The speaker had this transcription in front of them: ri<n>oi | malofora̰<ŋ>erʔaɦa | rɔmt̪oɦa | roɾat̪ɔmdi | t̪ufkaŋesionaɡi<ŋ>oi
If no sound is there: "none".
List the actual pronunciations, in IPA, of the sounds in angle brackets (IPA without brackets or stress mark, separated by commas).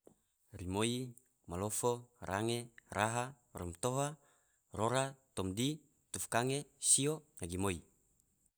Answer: m, ŋ, m